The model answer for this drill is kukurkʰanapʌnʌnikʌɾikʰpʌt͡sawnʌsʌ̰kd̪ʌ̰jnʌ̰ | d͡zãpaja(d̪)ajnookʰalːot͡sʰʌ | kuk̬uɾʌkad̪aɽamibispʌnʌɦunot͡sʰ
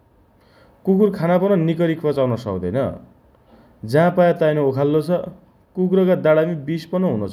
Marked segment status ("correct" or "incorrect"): incorrect